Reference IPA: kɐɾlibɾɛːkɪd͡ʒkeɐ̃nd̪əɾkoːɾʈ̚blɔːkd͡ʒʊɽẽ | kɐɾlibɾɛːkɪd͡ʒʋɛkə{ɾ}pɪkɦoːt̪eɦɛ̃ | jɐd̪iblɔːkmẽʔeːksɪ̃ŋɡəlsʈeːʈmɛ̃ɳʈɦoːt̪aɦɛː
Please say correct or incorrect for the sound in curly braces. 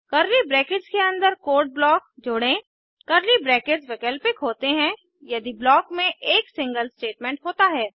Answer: incorrect